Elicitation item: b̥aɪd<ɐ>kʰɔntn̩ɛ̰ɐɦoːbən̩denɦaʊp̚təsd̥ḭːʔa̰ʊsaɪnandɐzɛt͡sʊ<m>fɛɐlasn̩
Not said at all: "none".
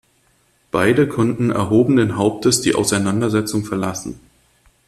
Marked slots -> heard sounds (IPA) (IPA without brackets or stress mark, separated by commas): ə, ŋ